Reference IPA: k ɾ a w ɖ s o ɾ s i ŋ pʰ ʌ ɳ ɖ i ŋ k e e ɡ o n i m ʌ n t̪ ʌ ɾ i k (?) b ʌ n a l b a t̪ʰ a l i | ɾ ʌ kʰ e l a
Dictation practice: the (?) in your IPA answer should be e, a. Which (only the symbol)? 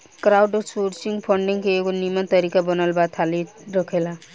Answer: a